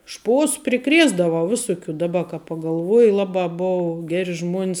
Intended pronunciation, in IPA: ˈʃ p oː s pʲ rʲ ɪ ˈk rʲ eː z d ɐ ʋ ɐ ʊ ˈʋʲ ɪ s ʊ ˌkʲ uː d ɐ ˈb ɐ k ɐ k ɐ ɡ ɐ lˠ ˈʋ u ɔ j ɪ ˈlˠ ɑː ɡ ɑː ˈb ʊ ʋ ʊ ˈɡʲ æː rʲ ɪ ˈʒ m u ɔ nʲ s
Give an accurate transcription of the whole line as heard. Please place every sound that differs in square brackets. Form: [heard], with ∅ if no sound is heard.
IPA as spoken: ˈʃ p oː s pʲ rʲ ɪ ˈk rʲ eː z d ɐ ʋ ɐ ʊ ˈʋʲ ɪ s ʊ ˌkʲ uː d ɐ ˈb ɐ k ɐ [p] ɐ ɡ ɐ lˠ ˈʋ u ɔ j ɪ ˈlˠ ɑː [b] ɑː ˈb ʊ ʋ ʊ ˈɡʲ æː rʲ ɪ ˈʒ m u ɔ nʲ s